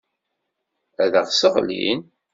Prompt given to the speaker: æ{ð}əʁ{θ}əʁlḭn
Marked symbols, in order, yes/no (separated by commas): yes, no